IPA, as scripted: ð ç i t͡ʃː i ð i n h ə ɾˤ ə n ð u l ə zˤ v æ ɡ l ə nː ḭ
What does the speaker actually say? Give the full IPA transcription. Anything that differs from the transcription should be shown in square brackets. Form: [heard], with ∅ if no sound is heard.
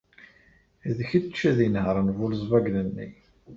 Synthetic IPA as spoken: ð ç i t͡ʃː [æ] ð i n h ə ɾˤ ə n [v] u l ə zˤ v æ ɡ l ə nː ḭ